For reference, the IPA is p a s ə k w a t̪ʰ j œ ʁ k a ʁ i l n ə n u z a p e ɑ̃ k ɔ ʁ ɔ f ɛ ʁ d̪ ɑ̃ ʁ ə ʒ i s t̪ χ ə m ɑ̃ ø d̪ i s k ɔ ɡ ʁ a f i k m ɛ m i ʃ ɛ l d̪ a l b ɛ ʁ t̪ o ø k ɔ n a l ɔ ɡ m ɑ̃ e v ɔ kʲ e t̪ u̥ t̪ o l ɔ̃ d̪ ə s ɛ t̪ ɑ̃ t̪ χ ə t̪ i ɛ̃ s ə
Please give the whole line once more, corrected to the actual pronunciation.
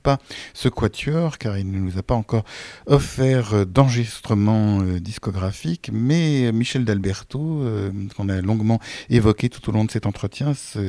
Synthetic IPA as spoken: p a s ə k w a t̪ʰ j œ ʁ k a ʁ i l n ə n u z a p a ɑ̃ k ɔ ʁ ɔ f ɛ ʁ d̪ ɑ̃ ʁ ə ʒ i s t̪ χ ə m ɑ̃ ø d̪ i s k ɔ ɡ ʁ a f i k m ɛ m i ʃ ɛ l d̪ a l b ɛ ʁ t̪ o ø k ɔ̃ n a l ɔ̃ ɡ m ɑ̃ e v ɔ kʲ e t̪ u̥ t̪ o l ɔ̃ d̪ ə s ɛ t̪ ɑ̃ t̪ χ ə t̪ j ɛ̃ s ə